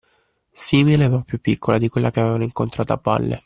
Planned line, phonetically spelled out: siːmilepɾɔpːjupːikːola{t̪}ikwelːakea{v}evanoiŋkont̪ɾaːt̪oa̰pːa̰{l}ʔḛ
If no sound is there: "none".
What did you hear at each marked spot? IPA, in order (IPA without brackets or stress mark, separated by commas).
d̪, v, lː